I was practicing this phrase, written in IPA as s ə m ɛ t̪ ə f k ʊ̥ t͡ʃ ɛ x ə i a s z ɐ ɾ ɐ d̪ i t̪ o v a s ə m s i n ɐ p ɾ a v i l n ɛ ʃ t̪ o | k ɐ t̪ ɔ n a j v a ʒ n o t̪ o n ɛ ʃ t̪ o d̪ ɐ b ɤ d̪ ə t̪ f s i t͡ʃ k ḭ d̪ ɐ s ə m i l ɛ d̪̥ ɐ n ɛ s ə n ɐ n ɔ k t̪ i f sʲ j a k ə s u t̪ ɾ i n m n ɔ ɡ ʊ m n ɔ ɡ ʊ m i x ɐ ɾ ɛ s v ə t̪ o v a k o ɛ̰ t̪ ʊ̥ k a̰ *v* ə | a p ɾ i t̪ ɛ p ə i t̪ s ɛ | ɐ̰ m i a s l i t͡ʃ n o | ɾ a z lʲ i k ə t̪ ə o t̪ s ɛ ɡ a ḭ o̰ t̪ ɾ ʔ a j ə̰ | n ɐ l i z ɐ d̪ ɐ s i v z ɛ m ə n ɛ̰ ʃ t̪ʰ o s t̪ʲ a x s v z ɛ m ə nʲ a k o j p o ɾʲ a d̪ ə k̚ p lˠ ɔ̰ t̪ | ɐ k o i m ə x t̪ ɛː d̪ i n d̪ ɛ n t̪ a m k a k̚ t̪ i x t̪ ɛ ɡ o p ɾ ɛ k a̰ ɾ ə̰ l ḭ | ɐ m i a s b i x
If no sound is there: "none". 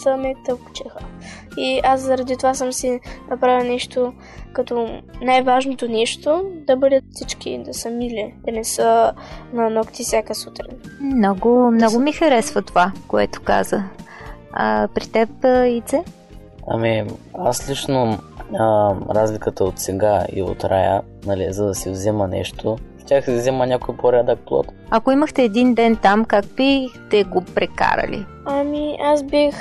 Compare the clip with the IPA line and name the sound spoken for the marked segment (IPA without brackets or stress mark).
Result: z